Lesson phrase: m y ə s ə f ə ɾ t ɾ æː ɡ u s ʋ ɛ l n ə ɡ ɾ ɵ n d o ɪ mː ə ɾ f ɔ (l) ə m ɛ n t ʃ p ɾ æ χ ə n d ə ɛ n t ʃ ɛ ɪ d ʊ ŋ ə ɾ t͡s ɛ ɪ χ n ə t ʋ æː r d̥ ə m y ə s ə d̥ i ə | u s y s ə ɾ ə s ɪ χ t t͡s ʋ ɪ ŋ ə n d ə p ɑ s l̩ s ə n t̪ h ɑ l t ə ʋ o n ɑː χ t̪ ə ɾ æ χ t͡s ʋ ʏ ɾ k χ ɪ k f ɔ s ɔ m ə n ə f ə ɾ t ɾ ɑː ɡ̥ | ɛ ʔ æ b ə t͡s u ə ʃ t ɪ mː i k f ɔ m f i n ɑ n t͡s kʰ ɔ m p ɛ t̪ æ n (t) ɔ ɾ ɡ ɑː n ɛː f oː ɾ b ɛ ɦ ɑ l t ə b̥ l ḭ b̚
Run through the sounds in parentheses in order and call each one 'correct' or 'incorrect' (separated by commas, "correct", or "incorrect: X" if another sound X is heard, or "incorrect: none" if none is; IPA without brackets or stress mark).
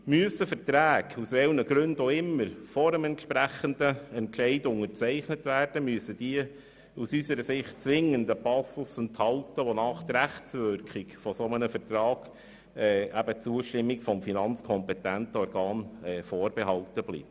incorrect: ɾ, correct